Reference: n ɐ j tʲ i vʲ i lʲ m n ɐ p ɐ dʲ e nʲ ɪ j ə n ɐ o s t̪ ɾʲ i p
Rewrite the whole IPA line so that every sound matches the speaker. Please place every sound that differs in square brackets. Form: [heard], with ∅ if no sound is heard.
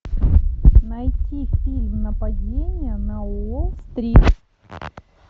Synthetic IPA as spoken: n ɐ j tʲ i [fʲ] i lʲ m n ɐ p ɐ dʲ e nʲ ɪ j ə n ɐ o s t̪ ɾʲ i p